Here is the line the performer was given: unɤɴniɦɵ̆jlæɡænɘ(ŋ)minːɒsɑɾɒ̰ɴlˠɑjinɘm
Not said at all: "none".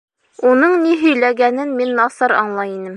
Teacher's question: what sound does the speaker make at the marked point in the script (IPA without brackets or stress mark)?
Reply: n